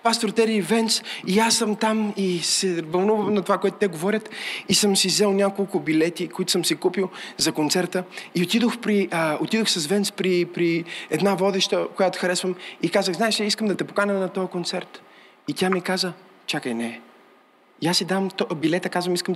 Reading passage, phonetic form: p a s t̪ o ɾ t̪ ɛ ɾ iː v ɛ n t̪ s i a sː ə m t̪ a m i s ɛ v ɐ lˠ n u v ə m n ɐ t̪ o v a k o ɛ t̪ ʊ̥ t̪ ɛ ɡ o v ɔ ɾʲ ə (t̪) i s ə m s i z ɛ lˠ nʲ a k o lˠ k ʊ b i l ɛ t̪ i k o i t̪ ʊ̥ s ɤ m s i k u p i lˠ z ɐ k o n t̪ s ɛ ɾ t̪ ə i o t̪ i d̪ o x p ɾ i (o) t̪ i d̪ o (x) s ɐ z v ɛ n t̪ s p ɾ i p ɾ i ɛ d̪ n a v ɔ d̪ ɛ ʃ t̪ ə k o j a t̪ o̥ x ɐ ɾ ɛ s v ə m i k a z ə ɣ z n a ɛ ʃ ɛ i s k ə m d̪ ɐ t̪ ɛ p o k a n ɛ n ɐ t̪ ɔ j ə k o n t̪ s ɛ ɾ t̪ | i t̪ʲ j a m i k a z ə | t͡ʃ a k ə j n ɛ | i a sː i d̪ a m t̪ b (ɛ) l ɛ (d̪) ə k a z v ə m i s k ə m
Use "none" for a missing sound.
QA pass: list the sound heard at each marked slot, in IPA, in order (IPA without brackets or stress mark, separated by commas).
t̪, o, x, i, t̪